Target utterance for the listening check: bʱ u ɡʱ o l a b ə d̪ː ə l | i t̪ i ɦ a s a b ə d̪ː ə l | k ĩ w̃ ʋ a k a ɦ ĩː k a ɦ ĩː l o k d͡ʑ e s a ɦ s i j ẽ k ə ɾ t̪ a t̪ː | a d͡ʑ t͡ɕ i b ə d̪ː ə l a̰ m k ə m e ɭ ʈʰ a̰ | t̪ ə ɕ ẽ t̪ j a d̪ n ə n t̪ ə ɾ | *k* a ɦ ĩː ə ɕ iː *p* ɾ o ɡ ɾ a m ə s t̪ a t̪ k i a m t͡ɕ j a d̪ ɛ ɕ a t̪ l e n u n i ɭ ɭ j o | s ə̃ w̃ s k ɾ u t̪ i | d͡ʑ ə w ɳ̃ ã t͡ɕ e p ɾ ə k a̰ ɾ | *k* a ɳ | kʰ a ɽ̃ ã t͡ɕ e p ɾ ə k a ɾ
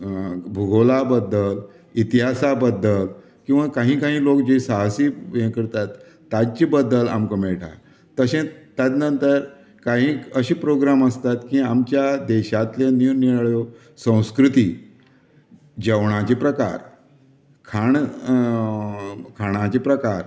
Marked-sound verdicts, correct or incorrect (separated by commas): correct, correct, incorrect